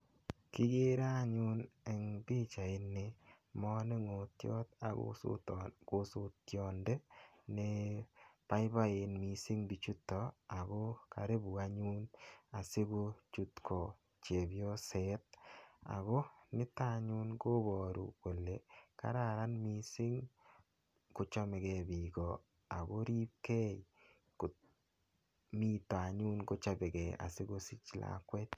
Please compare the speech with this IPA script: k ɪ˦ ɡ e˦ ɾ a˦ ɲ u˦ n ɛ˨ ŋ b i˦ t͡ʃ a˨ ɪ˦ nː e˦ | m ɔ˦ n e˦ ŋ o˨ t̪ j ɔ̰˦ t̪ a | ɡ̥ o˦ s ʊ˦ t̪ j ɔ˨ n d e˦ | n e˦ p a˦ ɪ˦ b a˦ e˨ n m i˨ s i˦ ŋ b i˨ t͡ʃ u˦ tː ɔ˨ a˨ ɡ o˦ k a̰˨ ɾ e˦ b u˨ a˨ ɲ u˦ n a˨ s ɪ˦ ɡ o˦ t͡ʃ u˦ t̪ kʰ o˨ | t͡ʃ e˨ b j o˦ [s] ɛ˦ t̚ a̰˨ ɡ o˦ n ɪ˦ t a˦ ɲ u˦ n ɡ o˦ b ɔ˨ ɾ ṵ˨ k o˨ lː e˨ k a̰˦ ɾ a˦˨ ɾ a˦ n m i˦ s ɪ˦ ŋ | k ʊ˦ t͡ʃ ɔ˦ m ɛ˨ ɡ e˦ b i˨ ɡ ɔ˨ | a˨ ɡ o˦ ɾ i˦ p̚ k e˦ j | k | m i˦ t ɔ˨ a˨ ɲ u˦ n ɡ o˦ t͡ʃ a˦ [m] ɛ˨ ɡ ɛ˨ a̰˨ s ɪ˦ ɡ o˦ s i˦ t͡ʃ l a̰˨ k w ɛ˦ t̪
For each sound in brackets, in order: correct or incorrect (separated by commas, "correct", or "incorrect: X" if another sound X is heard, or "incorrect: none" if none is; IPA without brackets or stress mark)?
correct, incorrect: b